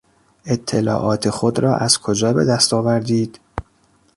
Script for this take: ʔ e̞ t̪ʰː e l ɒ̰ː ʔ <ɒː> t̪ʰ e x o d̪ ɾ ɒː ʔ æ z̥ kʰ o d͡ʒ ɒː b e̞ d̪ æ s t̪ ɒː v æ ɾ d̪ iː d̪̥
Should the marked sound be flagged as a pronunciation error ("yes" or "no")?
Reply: no